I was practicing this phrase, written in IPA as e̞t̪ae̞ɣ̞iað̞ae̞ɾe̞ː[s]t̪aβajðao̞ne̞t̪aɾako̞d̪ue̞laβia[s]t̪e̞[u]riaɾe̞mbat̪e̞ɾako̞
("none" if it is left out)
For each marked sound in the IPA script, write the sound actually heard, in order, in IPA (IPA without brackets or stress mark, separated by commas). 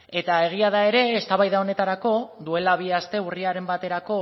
s, s, u